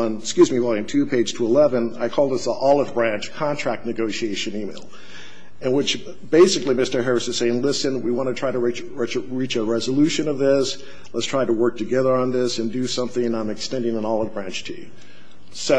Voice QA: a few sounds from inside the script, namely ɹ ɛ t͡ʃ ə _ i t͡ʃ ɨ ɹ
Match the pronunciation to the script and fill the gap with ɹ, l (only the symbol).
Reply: ɹ